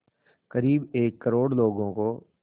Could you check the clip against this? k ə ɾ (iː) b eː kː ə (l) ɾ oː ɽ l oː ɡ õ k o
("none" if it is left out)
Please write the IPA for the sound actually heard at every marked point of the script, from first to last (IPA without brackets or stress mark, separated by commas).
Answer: iː, none